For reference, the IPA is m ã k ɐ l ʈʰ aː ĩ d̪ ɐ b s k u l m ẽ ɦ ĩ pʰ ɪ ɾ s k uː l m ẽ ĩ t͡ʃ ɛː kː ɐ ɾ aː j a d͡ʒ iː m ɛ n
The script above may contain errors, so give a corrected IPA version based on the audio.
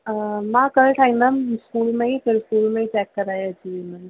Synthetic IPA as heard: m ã k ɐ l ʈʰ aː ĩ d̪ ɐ m s k uː l m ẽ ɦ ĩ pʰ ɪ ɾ s k uː l m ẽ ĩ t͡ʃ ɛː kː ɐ ɾ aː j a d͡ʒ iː m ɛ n